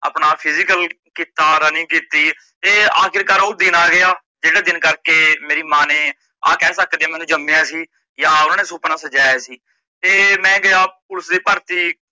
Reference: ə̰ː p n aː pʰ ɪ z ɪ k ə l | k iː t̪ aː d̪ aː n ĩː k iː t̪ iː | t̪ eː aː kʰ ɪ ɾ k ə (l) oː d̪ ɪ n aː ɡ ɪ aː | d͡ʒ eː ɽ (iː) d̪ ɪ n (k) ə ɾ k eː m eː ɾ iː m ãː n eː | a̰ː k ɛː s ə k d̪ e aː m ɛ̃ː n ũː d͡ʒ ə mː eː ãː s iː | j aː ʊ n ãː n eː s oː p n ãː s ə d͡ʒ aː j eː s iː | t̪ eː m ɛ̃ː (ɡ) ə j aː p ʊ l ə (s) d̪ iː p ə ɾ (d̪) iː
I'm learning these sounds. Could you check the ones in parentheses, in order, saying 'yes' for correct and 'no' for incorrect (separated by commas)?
no, no, yes, yes, yes, no